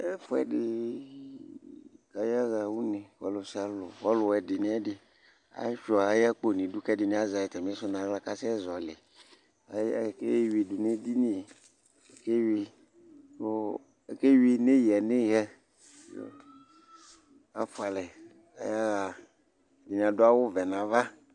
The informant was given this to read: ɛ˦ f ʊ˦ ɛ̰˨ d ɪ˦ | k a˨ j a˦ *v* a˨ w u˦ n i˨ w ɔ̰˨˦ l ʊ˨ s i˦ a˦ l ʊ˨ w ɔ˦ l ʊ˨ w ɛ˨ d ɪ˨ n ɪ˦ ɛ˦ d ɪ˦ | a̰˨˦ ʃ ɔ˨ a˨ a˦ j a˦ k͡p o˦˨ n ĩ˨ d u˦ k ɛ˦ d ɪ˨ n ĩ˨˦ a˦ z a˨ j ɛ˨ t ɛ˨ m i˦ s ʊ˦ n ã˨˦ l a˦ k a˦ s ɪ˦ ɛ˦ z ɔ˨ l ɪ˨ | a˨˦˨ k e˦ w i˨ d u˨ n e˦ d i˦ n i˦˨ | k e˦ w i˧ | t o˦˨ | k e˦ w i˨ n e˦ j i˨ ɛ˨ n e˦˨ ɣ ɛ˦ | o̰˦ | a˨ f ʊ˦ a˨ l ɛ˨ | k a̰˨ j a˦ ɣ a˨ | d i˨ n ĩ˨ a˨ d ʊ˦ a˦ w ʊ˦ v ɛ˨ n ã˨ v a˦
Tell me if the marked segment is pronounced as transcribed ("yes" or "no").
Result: no